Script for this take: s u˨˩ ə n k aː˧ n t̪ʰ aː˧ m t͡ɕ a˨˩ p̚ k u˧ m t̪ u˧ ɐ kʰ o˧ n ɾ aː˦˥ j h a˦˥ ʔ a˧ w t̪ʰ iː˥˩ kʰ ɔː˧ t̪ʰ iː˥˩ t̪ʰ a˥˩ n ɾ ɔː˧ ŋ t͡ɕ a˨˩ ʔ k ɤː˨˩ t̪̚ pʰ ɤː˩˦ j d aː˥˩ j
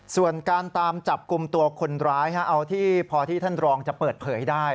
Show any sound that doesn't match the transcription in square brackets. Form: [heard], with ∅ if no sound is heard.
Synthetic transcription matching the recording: s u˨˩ ə n k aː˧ n [t̪] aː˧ m t͡ɕ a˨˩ p̚ k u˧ m t̪ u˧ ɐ kʰ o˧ n ɾ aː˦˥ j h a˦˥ ʔ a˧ w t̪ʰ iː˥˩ [pʰ] ɔː˧ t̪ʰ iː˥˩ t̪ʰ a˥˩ n ɾ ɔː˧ ŋ t͡ɕ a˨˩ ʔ [p] ɤː˨˩ t̪̚ pʰ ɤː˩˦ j d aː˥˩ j

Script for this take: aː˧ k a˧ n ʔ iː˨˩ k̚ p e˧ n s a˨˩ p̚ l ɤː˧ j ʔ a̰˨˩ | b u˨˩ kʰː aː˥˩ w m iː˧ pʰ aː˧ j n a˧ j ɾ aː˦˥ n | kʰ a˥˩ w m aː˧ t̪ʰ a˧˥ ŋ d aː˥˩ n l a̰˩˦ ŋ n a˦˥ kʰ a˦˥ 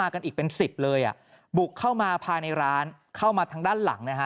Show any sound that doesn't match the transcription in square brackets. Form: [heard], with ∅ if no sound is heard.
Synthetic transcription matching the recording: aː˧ k a˧ n ʔ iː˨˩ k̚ p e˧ n s [i˨˩] p̚ l ɤː˧ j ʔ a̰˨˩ | b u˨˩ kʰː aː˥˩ w m [aː˧] pʰ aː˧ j n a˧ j ɾ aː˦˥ n | kʰ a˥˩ w m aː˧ t̪ʰ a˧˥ ŋ d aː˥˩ n l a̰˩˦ ŋ n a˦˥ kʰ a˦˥

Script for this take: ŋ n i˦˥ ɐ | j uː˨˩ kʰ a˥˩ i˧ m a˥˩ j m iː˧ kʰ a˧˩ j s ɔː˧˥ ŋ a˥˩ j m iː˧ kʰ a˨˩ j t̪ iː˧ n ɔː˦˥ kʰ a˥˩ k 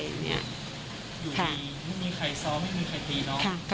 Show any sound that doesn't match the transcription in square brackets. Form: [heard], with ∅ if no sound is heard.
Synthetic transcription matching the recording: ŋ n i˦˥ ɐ | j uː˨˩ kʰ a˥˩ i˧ m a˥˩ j m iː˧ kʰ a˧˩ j s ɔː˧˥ [m] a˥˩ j m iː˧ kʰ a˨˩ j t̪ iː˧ n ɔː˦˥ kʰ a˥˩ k

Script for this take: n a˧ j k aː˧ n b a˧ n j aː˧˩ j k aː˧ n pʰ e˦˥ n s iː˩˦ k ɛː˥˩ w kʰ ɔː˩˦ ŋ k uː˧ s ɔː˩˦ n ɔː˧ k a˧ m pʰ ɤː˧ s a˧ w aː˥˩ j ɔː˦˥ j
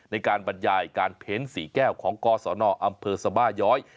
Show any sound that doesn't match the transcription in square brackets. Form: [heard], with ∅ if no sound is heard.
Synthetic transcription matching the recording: n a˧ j k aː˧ n b a˧ n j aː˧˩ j k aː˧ n pʰ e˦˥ n s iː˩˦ k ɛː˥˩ w kʰ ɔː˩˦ ŋ k [ɔː˧] s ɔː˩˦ n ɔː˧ [ʔ] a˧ m pʰ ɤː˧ s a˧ [b] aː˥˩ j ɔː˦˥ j

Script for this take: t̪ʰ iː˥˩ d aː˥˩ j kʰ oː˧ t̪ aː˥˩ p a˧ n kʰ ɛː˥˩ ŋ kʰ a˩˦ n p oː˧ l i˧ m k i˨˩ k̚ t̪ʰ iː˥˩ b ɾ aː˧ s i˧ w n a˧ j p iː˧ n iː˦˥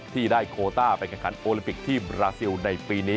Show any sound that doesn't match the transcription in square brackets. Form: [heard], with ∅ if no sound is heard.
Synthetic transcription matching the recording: t̪ʰ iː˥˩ d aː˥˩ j kʰ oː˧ t̪ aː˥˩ p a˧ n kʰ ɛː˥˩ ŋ kʰ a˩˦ n [ʔ] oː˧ l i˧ m [p] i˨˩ k̚ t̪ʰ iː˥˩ b ɾ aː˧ s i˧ w n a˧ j p iː˧ n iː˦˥

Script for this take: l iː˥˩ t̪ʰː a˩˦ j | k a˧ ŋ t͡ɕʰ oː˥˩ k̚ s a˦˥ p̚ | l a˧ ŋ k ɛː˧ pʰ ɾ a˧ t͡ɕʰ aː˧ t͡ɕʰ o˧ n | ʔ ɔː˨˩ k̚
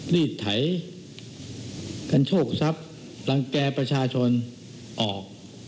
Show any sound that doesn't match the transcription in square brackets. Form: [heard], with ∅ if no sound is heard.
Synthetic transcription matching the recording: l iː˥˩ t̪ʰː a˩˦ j | k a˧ [n] t͡ɕʰ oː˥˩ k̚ s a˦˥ p̚ | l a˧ ŋ k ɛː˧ [p] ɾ a˧ t͡ɕʰ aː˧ t͡ɕʰ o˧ n | ʔ ɔː˨˩ k̚

